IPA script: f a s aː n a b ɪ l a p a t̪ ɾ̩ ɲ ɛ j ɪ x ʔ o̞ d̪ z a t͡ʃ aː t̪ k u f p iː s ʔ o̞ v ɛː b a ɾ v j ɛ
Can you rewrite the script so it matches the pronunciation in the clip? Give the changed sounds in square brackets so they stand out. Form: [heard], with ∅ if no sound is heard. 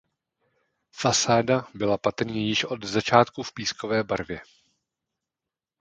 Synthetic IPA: f a s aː [d] a b ɪ l a p a t̪ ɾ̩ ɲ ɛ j ɪ [ʃ] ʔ o̞ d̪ z a t͡ʃ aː t̪ k u f p iː s [k] o̞ v ɛː b a ɾ v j ɛ